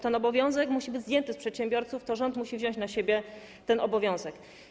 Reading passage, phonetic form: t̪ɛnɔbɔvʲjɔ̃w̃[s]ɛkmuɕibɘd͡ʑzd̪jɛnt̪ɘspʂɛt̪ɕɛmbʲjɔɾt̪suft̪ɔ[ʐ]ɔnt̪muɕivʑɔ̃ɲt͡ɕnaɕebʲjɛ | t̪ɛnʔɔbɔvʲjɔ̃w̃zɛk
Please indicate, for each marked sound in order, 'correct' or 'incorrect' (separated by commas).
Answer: incorrect, correct